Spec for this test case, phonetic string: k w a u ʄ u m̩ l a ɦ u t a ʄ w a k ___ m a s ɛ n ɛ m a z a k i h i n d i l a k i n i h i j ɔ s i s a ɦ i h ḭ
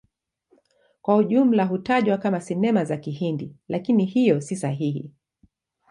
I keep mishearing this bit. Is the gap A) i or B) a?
B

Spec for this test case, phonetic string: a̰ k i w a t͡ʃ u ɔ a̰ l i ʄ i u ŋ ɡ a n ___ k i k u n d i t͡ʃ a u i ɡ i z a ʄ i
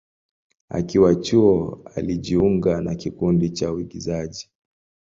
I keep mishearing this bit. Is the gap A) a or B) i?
A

